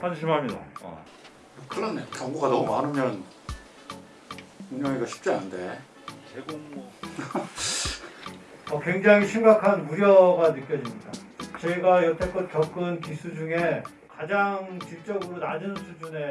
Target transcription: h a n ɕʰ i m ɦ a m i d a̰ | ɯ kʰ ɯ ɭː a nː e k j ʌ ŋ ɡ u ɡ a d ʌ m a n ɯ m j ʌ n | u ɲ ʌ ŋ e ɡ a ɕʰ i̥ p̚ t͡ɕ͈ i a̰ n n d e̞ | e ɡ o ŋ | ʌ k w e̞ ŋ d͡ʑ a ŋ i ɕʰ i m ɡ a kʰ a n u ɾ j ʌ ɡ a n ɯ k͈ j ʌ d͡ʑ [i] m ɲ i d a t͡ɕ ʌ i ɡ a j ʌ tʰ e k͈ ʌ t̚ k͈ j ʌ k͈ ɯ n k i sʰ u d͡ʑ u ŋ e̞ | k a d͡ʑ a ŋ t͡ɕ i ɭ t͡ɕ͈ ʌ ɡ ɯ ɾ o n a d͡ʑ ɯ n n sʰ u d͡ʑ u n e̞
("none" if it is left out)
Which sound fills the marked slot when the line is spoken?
i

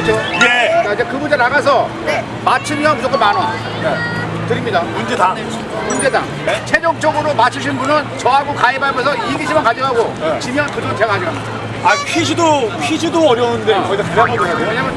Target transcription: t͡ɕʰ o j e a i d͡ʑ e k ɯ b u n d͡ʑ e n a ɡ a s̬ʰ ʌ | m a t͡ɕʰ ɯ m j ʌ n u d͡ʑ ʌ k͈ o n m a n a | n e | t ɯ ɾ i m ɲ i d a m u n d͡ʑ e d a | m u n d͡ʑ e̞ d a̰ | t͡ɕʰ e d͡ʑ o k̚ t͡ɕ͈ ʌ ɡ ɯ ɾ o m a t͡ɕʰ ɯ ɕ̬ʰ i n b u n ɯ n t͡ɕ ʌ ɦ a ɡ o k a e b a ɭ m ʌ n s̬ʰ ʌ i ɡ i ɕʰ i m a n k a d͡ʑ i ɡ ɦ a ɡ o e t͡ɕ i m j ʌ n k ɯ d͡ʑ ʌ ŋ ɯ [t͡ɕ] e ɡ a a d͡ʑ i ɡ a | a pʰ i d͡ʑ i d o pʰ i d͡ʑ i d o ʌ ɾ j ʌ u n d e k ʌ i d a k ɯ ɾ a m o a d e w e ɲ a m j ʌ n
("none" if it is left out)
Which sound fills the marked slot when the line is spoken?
t͡ɕ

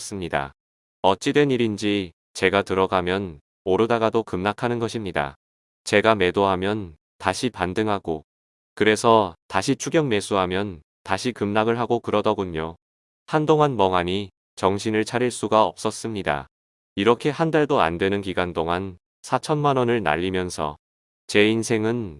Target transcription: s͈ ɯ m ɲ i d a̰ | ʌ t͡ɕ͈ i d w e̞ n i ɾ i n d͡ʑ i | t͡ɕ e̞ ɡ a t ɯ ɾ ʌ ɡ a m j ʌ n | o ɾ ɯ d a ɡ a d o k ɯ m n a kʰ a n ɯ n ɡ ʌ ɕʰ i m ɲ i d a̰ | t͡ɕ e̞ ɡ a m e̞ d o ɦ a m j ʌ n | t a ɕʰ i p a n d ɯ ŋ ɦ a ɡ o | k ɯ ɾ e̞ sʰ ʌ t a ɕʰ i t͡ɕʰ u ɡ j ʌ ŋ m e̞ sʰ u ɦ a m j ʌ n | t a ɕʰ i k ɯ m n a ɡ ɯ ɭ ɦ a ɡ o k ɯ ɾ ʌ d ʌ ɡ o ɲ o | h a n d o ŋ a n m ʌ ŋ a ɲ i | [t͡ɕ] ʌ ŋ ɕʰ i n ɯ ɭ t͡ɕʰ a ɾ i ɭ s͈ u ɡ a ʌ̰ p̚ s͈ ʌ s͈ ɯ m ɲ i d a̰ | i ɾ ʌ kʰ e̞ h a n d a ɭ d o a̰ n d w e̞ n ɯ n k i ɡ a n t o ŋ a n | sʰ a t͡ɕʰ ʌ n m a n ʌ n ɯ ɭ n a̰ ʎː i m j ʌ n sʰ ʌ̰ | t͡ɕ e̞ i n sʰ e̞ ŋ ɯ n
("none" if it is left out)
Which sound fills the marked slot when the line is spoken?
t͡ɕ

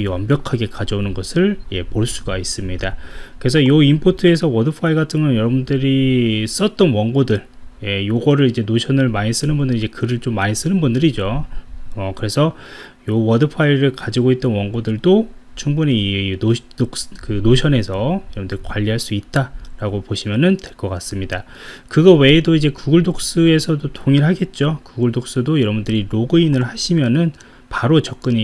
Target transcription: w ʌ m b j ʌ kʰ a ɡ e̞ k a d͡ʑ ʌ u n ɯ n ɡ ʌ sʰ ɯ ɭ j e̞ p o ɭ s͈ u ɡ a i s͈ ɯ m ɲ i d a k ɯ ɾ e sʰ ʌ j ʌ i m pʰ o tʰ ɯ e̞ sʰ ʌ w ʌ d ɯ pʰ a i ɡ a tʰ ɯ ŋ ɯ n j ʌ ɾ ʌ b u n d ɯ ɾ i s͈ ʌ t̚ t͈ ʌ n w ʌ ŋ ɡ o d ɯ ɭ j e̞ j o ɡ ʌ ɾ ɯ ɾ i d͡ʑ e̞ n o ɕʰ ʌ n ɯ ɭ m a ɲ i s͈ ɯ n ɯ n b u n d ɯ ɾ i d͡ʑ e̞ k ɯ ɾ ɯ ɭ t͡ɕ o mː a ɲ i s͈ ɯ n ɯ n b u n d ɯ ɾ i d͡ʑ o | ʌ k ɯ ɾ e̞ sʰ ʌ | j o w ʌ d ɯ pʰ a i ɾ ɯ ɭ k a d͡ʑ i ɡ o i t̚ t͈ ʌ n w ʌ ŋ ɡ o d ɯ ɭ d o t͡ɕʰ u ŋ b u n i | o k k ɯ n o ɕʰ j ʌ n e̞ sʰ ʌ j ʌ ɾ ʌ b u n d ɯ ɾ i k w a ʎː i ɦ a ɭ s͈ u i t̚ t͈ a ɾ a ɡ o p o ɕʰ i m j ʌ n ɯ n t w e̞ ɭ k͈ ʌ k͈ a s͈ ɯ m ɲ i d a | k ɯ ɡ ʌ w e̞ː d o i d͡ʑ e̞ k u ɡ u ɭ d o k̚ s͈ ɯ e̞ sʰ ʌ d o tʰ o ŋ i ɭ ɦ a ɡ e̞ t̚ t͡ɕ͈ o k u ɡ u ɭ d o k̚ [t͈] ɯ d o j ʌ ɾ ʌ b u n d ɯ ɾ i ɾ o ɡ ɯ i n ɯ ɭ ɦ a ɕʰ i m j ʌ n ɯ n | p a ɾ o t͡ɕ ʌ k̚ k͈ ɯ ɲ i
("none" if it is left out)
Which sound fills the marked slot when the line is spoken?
s͈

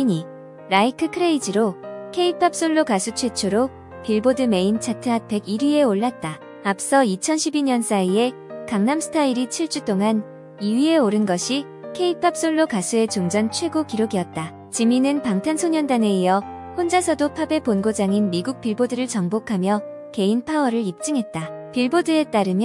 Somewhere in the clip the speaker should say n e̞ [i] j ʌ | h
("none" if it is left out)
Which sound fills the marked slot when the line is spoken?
i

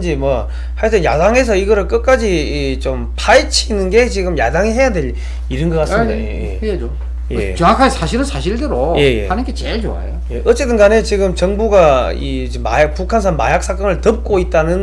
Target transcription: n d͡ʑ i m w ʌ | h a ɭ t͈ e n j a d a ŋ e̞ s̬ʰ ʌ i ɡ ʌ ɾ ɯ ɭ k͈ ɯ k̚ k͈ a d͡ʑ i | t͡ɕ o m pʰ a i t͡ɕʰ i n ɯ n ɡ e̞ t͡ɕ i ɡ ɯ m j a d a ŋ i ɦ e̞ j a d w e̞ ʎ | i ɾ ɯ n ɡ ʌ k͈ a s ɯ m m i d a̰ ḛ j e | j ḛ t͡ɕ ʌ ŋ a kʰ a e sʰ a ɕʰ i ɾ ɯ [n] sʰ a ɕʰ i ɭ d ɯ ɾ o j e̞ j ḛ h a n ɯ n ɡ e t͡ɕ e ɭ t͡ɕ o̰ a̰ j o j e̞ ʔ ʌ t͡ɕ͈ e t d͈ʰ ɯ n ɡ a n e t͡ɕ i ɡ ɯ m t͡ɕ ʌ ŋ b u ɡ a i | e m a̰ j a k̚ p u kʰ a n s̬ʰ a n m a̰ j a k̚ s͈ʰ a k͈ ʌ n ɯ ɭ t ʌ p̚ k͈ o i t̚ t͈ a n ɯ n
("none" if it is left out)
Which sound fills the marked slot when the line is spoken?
n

